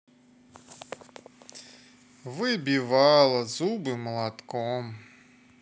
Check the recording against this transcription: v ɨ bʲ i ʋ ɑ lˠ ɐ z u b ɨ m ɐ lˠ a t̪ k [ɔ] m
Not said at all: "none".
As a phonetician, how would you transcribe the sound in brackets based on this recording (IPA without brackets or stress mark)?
ɔ